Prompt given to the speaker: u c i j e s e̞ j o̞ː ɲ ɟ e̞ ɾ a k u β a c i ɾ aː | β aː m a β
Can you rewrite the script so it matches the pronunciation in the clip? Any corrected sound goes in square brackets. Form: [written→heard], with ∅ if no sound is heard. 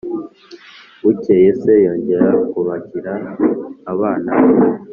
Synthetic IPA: u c [i→e] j e s e̞ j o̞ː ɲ ɟ e̞ ɾ a k u β a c i ɾ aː | β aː [m→n] a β